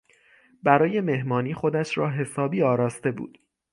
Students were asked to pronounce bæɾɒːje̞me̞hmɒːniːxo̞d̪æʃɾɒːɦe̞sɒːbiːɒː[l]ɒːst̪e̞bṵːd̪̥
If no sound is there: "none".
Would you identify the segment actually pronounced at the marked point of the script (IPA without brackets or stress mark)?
ɾ